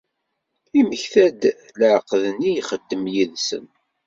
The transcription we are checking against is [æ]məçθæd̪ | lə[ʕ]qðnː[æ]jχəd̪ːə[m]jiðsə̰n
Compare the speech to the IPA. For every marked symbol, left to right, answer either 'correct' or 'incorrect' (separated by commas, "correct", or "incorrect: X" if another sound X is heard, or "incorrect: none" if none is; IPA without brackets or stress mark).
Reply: incorrect: i, correct, incorrect: i, correct